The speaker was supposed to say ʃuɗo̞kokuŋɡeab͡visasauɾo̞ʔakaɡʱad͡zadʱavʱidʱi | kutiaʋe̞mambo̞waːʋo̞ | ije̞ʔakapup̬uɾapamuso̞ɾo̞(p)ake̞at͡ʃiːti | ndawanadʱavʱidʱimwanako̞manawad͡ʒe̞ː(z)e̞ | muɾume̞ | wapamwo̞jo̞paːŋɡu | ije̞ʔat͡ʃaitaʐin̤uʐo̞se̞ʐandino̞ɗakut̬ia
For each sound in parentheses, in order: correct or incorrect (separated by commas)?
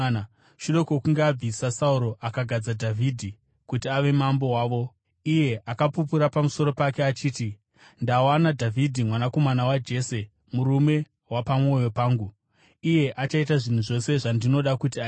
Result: correct, incorrect